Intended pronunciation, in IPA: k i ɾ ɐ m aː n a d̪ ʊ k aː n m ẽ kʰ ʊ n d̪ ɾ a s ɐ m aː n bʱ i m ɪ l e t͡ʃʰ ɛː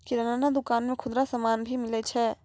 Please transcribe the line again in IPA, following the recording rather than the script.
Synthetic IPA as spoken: k i ɾ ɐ n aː n a d̪ ʊ k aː n m ẽ kʰ ʊ d̪ ɾ a s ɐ m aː n bʱ i m ɪ l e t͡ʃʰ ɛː